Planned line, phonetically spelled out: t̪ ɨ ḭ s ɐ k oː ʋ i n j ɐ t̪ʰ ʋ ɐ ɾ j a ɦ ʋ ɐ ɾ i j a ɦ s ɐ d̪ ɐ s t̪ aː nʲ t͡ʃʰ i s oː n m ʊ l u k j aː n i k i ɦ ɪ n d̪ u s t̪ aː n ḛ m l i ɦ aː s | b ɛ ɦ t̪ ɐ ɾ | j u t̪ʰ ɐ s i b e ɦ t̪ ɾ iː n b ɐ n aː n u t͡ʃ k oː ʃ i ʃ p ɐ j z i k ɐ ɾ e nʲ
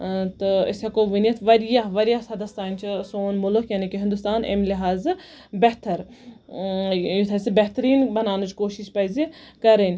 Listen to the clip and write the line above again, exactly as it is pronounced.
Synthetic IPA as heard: t̪ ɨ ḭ s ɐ k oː ʋ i n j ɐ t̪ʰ ʋ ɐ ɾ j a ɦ ʋ ɐ ɾ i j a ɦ s ɐ d̪ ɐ s t̪ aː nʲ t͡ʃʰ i s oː n m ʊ l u k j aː n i k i ɦ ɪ n d̪ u s t̪ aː n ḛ m l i ɦ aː z | b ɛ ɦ t̪ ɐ ɾ | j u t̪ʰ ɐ s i b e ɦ t̪ ɾ iː n b ɐ n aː n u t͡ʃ k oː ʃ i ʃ p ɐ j z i k ɐ ɾ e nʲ